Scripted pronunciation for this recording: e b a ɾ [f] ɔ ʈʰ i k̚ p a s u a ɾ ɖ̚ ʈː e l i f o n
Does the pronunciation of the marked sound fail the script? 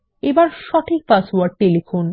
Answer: yes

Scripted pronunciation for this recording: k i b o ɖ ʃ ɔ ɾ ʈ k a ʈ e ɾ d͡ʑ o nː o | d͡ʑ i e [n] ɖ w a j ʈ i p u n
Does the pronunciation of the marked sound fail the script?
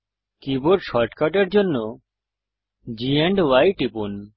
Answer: yes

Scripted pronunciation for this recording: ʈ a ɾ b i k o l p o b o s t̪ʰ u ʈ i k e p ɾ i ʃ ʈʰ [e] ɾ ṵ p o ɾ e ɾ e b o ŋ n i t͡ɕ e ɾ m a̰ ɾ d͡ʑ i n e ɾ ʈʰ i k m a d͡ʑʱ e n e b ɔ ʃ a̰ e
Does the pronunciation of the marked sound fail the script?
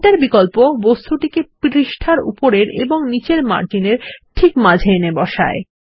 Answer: yes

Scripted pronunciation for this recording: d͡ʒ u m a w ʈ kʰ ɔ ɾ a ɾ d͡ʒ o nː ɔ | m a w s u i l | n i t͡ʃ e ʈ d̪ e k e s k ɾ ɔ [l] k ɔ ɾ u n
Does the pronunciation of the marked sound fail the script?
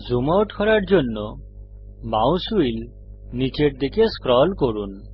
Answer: no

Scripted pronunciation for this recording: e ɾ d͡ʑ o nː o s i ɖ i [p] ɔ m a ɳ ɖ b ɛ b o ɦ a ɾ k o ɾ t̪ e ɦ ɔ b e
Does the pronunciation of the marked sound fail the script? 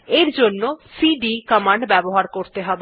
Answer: yes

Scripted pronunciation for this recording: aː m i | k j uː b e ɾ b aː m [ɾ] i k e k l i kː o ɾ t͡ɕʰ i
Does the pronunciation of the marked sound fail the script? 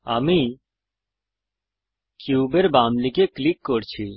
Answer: yes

